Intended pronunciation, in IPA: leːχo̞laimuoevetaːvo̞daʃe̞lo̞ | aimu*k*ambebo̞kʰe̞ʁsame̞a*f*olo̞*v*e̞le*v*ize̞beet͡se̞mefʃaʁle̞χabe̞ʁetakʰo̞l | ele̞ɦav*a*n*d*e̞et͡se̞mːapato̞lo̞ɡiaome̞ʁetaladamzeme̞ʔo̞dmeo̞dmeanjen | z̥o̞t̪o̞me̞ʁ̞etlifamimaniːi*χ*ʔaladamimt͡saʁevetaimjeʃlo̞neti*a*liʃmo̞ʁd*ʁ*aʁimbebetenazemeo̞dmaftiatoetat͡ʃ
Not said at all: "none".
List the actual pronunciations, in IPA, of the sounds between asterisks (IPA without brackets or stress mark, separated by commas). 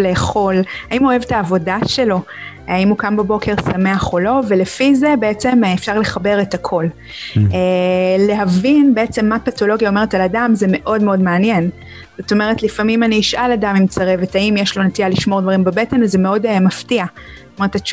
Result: k, χ, v, f, i, b, ʃ, a, v